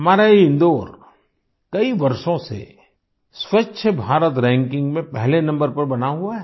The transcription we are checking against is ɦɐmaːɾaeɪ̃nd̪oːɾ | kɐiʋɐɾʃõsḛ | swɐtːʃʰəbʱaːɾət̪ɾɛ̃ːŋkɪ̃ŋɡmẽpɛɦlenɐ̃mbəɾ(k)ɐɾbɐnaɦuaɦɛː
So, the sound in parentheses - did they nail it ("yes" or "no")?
no